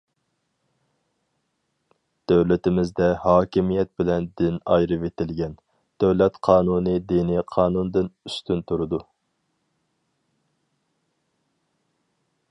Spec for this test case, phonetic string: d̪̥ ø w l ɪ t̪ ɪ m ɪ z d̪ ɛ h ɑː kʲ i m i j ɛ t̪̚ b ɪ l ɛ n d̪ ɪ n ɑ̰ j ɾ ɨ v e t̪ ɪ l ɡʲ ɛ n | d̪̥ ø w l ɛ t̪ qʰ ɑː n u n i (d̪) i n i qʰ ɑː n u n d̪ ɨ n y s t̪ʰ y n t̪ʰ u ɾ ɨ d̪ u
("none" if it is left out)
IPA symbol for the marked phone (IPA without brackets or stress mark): d̪